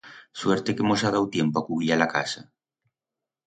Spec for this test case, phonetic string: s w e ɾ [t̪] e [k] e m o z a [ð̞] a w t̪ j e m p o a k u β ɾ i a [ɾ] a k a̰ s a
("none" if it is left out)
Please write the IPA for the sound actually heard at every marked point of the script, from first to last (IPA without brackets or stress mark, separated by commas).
t̪, k, ð̞, l